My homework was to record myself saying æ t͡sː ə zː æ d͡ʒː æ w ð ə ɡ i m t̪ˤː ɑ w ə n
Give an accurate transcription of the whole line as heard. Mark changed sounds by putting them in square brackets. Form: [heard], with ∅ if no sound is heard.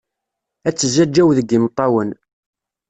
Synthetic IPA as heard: æ t͡sː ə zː æ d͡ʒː æ w ð ə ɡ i m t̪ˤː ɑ w ə n